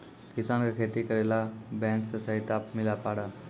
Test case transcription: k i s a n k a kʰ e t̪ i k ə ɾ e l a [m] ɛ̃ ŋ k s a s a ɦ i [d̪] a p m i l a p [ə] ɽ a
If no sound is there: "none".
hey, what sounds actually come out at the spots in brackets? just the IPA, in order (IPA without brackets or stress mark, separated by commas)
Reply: b, t̪, a